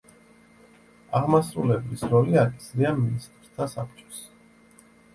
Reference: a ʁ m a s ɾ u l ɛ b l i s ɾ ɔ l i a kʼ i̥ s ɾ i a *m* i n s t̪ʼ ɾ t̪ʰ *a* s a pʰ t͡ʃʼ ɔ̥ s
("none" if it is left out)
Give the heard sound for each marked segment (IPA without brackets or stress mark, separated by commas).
m, a